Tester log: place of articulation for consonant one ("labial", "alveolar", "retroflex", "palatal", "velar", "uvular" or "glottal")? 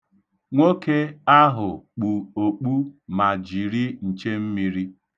velar